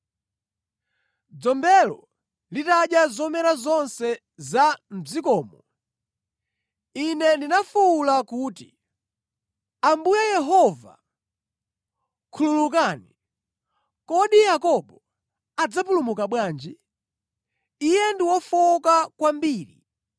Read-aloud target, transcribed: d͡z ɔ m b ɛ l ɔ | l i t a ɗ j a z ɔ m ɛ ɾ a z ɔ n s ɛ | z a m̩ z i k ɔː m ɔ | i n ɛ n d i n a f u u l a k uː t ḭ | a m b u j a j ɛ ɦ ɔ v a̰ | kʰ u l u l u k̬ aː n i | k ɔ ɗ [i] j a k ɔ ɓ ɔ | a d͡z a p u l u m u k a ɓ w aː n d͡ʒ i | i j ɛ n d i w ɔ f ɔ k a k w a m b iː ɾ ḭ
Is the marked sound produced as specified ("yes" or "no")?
yes